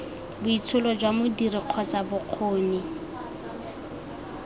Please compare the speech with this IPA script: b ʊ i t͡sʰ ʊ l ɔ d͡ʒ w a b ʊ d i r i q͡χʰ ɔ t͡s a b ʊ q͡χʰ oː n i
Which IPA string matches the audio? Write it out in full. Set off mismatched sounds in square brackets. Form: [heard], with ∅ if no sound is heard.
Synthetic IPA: b ʊ i t͡sʰ ʊ l ɔ d͡ʒ w a [m] ʊ d i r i q͡χʰ ɔ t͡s a b ʊ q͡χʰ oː n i